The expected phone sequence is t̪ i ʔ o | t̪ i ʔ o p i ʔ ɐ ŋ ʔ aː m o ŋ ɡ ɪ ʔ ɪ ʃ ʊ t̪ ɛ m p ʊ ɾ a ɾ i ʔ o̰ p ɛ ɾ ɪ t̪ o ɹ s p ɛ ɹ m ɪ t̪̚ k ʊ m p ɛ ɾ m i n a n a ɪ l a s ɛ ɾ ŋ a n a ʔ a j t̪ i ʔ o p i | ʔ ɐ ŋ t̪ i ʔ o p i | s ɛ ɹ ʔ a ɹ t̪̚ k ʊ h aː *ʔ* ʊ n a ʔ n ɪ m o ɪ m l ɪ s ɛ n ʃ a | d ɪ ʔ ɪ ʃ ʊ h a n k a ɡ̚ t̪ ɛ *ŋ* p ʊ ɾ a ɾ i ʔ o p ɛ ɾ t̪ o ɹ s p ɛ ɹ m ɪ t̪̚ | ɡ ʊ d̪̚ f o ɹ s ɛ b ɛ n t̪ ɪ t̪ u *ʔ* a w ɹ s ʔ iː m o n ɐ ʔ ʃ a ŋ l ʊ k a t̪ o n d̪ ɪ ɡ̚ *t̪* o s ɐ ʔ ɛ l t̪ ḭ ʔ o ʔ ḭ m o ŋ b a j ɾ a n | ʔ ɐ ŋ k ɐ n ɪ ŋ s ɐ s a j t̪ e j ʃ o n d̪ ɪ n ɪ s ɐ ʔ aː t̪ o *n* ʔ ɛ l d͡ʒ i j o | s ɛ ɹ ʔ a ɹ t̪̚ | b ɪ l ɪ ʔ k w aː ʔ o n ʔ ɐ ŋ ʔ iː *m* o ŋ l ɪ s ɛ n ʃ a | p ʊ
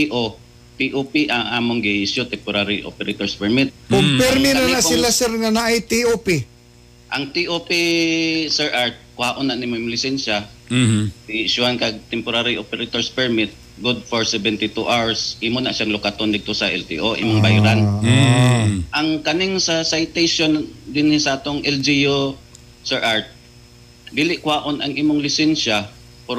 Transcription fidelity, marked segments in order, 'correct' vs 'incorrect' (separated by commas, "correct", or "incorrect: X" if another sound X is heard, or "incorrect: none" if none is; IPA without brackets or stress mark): correct, incorrect: m, correct, correct, incorrect: ŋ, correct